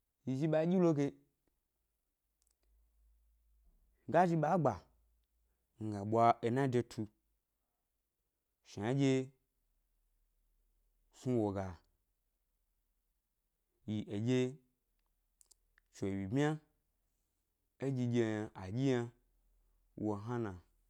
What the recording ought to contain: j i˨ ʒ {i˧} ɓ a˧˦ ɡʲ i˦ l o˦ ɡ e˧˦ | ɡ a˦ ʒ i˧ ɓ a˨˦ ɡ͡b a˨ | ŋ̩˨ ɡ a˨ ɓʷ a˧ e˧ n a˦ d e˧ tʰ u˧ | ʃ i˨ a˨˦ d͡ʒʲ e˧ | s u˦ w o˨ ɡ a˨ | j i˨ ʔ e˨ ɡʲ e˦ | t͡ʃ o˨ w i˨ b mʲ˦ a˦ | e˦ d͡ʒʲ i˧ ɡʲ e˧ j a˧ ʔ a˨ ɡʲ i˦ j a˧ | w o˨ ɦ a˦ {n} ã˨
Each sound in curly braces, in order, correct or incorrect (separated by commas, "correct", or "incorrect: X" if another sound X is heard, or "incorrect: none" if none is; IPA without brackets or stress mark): correct, correct